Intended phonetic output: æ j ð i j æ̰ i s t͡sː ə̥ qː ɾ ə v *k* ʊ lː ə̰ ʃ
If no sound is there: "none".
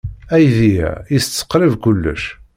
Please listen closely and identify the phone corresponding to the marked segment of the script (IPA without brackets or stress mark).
k